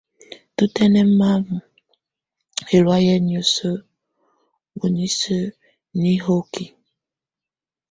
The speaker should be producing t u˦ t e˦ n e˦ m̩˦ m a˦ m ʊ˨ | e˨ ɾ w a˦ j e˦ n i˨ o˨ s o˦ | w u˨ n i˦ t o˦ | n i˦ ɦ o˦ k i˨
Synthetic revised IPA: t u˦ t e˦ n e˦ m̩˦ m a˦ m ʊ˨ | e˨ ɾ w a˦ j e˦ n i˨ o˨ s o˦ | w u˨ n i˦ s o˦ | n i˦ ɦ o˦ k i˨